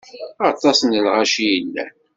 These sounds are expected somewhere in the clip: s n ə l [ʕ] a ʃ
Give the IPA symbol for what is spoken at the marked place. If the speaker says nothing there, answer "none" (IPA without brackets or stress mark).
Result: ʁ